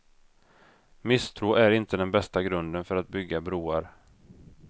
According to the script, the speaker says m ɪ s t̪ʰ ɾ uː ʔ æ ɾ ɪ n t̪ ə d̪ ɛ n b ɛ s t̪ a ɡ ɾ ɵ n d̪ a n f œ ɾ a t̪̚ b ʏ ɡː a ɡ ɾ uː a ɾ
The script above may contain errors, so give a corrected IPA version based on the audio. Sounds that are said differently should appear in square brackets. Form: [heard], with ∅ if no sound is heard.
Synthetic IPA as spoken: m ɪ s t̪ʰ ɾ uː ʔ æ ɾ ɪ n t̪ ə d̪ ɛ n b ɛ s t̪ a ɡ ɾ ɵ n d̪ [ə] n f œ ɾ a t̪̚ b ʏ ɡː a [b] ɾ uː a ɾ